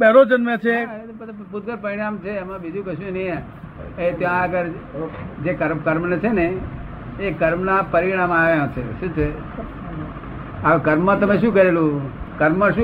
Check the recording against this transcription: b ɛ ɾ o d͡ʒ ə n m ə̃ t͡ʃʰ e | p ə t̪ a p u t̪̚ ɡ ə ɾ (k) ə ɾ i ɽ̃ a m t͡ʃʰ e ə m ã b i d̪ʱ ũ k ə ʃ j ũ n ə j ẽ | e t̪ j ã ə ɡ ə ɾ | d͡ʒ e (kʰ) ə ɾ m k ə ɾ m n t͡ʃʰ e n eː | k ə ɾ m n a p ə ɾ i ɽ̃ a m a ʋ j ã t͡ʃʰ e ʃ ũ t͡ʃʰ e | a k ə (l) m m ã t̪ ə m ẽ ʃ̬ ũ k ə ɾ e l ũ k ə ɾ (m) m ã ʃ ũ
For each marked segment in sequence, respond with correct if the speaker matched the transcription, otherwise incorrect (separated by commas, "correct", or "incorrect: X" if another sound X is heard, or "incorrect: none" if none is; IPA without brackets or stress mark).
incorrect: p, incorrect: k, incorrect: ɾ, correct